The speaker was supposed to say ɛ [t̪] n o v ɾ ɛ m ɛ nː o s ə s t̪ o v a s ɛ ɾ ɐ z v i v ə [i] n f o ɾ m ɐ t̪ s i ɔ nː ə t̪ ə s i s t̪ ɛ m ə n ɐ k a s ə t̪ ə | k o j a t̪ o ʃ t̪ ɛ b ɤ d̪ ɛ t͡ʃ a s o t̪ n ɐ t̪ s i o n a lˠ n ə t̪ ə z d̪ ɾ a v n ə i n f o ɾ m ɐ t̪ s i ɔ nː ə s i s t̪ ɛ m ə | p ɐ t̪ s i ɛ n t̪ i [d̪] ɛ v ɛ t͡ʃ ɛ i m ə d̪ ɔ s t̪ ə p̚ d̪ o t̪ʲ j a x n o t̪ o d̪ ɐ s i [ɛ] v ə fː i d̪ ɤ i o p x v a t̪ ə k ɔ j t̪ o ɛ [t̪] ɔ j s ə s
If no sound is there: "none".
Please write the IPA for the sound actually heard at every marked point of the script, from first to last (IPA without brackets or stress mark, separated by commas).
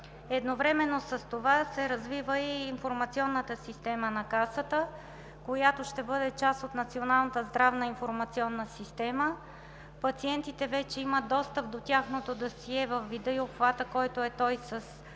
d̪, iː, t̪, ɛ, t̪